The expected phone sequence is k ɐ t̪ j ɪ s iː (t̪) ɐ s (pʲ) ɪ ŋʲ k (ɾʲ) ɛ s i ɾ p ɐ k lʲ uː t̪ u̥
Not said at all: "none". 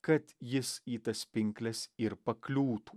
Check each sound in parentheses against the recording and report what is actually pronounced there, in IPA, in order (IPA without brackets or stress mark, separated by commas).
t̪, pʲ, lʲ